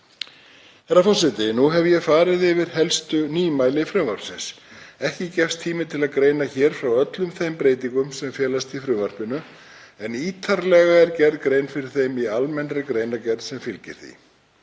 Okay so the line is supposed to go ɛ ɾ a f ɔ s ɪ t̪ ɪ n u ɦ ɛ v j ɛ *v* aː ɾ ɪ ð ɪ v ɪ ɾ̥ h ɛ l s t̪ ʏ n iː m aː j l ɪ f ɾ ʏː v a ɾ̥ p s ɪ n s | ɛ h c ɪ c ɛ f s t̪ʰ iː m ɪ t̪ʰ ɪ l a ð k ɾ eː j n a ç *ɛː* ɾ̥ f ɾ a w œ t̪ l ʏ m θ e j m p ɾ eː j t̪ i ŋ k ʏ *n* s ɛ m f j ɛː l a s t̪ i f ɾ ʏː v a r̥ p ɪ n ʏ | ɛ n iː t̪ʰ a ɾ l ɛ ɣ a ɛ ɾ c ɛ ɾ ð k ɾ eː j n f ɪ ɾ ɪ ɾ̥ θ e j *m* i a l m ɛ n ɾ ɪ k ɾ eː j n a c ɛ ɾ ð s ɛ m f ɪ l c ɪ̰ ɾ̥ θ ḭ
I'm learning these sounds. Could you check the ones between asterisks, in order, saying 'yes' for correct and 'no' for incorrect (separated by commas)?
no, yes, no, yes